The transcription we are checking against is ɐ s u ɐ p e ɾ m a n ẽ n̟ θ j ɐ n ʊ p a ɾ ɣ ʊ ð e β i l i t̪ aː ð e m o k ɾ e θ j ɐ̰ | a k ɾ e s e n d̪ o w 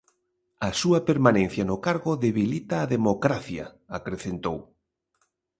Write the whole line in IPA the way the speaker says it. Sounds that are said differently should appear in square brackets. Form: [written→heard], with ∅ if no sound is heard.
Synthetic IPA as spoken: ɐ s u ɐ p e ɾ m a n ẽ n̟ θ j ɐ n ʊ [p→k] a ɾ ɣ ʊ ð e β i l i t̪ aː ð e m o k ɾ [e→a] θ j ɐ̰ | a k ɾ e [s→θ] e n [d̪→t̪] o w